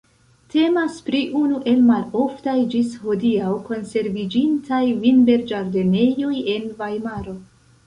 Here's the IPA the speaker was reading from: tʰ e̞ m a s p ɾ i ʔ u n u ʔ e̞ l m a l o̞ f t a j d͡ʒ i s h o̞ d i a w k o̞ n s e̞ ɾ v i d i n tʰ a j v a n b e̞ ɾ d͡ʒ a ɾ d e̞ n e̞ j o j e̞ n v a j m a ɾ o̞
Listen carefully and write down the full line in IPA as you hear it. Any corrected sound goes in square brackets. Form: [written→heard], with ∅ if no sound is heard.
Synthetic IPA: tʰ e̞ m a s p ɾ i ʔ u n u ʔ e̞ l m a l o̞ f t a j d͡ʒ i s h o̞ d i a w k o̞ n s e̞ ɾ v i [d→d͡ʒ] i n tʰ a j v [a→i] n b e̞ ɾ d͡ʒ a ɾ d e̞ n e̞ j o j e̞ n v a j m a ɾ o̞